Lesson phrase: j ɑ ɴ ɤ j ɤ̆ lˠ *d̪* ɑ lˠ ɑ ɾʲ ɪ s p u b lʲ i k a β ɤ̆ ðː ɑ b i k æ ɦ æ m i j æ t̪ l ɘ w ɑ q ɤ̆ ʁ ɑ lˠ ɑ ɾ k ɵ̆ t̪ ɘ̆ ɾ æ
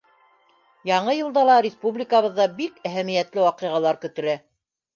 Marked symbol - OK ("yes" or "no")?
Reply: yes